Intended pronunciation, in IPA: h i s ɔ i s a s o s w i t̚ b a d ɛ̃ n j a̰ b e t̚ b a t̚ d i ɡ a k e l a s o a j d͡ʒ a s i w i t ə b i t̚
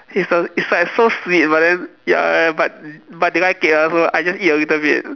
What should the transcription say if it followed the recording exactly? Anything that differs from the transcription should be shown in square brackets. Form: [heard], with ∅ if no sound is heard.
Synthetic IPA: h i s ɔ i s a s o s w i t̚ b a d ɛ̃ n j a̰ b [a] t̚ b a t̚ d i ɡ a k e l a s o a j d͡ʒ a s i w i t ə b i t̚